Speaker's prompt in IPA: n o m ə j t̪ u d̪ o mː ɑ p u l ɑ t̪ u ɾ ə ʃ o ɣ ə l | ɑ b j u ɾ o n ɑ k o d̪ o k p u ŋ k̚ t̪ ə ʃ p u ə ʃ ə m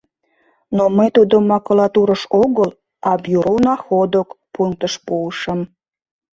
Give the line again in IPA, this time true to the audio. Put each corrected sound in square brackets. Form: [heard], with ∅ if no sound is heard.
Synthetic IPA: n o m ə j t̪ u d̪ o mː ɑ [k] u l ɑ t̪ u ɾ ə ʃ o ɣ ə l | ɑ b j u ɾ o n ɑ [x] o d̪ o k p u ŋ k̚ t̪ ə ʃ p u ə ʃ ə m